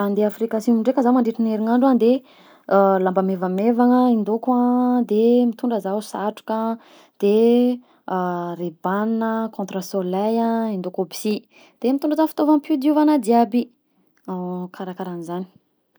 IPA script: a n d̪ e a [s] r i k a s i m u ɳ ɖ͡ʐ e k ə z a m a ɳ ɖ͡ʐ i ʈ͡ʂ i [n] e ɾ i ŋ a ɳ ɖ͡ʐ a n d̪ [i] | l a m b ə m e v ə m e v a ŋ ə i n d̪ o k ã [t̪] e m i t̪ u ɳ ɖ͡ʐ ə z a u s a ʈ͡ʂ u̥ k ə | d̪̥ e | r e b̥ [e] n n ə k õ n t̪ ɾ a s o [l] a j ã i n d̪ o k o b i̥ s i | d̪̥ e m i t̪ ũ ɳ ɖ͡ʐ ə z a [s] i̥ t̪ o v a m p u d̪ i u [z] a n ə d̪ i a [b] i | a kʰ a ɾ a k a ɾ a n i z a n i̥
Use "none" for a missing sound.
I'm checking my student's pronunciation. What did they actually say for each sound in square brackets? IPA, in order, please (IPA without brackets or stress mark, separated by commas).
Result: f, n, e, d̪, a, l, f, v, b